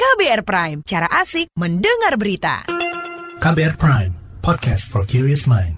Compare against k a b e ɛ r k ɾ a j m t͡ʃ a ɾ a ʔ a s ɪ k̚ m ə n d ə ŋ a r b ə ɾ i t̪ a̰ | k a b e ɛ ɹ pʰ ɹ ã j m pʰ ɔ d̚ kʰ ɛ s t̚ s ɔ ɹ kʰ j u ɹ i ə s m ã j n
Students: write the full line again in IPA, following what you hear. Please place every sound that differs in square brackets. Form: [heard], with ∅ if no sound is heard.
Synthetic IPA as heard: k a b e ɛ r [p] ɾ a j m t͡ʃ a ɾ a ʔ a s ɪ k̚ m ə n d ə ŋ a r b ə ɾ i t̪ a̰ | k a b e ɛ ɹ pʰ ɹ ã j m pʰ ɔ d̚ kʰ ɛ s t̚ [f] ɔ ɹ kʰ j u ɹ i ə s m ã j n